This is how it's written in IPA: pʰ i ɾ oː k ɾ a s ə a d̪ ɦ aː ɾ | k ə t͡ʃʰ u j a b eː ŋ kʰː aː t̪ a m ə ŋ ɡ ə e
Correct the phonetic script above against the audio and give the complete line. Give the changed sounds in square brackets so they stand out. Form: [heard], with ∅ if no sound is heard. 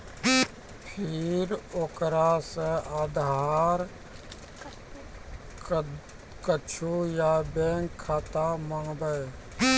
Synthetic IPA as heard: pʰ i ɾ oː k ɾ a s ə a d̪ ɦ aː ɾ | k ə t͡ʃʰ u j a b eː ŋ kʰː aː t̪ a m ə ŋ [b] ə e